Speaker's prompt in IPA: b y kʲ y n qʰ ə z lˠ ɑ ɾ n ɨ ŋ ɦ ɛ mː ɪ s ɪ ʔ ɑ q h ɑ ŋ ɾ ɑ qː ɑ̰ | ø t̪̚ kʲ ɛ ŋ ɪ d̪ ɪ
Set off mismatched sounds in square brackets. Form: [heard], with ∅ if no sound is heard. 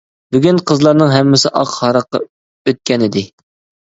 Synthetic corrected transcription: b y [ɡʲ] y n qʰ ə z lˠ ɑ ɾ n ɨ ŋ ɦ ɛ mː ɪ s ɪ ʔ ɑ q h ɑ [∅] ɾ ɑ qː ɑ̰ | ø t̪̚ kʲ ɛ [n] ɪ d̪ ɪ